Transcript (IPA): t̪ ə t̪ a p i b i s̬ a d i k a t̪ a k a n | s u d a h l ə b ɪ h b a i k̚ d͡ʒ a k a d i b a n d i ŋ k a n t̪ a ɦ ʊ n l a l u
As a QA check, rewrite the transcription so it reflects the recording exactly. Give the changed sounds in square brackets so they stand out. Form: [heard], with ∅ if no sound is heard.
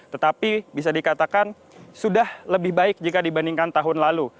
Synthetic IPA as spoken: t̪ ə t̪ a p i b i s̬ a d i k a t̪ a k a n | s u d a h l ə b ɪ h b a [ɪ] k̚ d͡ʒ [i] k a d i b a n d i ŋ k a n t̪ a ɦ ʊ n l a l u